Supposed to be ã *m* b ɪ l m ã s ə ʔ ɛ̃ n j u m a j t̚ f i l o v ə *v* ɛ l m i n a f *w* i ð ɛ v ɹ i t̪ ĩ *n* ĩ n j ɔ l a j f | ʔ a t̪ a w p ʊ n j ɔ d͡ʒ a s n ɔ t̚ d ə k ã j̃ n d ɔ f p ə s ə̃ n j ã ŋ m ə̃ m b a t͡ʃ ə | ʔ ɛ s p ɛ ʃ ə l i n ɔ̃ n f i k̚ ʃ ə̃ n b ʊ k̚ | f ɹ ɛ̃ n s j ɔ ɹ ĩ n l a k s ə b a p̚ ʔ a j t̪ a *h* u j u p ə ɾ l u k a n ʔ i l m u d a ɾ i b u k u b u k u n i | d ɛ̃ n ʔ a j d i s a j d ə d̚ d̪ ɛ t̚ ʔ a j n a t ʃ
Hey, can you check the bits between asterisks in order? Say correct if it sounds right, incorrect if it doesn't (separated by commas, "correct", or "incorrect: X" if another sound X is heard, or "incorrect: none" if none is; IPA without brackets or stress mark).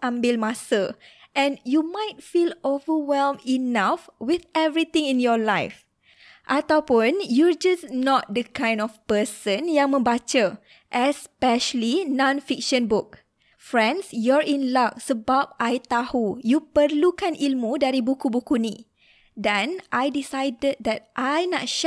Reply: correct, incorrect: w, correct, incorrect: ŋ, correct